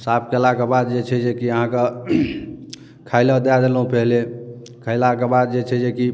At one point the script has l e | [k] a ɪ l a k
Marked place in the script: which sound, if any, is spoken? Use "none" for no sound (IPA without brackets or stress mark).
kʰ